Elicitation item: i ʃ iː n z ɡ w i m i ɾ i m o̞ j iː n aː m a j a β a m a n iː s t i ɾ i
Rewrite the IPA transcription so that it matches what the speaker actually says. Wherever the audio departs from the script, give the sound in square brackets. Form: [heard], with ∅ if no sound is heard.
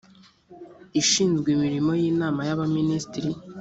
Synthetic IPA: i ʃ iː n z ɡ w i m i ɾ i m o̞ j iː n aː m a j a β a m [i] n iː s t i ɾ i